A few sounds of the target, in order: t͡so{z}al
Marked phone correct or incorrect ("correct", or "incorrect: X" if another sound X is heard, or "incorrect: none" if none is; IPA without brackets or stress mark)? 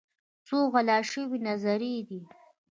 incorrect: ɣ